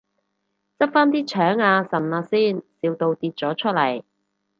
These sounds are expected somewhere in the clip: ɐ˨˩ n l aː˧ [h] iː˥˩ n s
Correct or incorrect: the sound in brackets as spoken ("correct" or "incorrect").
incorrect